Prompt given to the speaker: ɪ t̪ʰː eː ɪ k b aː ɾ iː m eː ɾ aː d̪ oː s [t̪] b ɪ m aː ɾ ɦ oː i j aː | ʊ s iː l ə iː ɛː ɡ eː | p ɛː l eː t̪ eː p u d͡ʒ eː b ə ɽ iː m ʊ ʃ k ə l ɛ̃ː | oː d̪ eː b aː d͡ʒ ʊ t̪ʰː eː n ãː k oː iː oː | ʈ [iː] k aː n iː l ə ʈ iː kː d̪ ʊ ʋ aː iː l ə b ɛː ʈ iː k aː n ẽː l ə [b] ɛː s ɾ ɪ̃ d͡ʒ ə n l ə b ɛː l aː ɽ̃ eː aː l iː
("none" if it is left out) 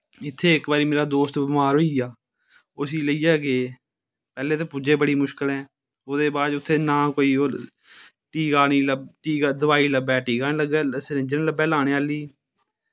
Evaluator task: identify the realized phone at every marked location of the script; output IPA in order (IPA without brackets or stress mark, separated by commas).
t̪, iː, ɡ